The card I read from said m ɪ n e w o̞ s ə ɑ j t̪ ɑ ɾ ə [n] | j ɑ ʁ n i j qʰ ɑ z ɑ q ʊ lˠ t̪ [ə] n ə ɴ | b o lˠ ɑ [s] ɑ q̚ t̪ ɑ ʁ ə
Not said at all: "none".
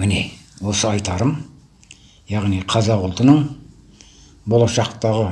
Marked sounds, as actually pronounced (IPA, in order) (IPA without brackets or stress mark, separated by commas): m, ə, ʃ